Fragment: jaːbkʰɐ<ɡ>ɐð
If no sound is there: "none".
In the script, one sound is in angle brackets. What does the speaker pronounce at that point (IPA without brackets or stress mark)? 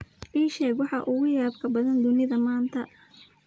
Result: b